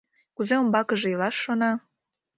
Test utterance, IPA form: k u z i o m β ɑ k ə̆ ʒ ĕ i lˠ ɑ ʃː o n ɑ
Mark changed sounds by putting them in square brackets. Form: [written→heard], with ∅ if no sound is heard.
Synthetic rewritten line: k u z [i→e] o m [β→b] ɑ k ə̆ ʒ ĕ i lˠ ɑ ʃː o n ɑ